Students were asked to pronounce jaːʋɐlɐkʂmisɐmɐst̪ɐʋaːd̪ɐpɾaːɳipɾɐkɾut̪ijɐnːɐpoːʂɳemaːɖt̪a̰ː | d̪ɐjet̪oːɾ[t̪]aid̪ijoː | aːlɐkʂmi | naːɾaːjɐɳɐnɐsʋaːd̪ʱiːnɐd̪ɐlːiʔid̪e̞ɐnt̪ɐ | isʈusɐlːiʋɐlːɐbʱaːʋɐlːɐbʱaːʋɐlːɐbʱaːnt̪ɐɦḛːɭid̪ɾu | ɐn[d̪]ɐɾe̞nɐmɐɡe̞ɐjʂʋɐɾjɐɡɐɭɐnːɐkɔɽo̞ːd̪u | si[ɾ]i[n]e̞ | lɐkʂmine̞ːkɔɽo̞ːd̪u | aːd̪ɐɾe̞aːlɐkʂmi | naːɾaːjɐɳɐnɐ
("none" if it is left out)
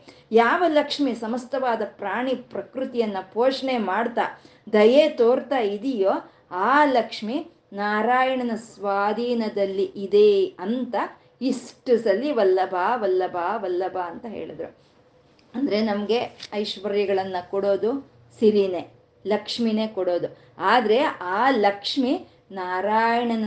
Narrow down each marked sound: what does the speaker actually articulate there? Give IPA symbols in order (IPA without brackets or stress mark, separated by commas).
t̪, d̪, ɾ, n